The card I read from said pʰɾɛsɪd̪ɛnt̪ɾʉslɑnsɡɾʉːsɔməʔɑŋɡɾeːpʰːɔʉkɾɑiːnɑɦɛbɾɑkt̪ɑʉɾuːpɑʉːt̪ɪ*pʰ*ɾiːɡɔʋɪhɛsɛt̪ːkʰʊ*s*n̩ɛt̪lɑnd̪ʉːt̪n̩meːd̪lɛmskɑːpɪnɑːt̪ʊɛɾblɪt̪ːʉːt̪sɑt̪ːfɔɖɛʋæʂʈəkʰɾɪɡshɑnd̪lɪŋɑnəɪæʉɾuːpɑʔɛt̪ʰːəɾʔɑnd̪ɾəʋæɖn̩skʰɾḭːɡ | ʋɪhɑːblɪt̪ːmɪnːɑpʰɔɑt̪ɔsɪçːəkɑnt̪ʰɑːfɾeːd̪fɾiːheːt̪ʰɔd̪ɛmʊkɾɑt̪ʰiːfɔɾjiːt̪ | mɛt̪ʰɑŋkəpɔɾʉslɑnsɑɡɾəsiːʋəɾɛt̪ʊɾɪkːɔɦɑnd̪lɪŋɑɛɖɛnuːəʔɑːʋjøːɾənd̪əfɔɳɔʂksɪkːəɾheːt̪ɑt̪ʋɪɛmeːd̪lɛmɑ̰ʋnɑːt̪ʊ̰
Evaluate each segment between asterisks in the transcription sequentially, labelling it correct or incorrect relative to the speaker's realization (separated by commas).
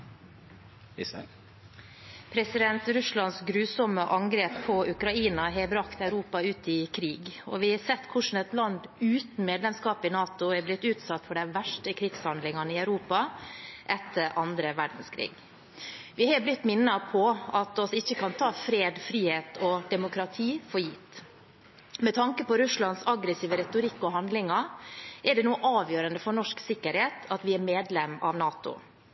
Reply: incorrect, incorrect